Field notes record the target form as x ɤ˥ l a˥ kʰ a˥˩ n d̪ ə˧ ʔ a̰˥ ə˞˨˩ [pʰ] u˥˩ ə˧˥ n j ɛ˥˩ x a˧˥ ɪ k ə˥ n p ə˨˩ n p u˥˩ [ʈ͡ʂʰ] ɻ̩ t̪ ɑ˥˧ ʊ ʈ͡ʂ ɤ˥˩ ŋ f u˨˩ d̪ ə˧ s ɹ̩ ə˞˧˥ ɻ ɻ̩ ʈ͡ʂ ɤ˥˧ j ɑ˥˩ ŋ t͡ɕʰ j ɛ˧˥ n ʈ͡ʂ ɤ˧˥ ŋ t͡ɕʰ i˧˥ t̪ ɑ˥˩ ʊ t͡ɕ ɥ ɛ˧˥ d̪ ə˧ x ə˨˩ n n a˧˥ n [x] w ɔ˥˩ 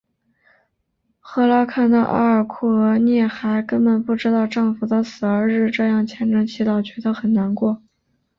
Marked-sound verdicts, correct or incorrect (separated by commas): incorrect, incorrect, incorrect